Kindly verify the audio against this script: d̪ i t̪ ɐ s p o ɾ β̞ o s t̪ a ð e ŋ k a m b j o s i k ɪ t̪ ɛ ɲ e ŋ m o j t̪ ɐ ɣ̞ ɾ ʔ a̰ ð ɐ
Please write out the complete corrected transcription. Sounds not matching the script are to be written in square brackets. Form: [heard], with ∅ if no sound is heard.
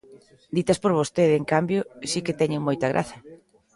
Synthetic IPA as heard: d̪ i t̪ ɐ s p o ɾ β̞ o s t̪ [e] ð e ŋ k a m b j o s i k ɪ t̪ ɛ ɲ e ŋ m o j t̪ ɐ ɣ̞ ɾ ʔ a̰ [θ] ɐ